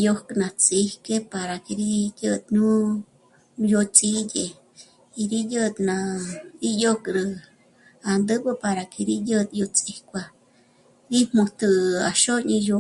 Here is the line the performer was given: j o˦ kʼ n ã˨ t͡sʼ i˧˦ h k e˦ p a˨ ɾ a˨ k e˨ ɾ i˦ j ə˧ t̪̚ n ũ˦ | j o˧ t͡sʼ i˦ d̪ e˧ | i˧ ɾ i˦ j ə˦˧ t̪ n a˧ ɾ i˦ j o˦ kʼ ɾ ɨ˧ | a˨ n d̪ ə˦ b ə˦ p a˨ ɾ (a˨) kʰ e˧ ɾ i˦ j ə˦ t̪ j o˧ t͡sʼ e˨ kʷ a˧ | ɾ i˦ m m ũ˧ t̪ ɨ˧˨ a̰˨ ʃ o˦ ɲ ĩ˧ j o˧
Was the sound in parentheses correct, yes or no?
yes